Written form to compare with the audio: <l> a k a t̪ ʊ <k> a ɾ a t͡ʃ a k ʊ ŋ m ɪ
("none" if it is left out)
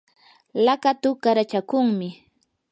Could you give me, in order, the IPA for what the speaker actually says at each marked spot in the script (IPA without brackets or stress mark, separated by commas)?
l, k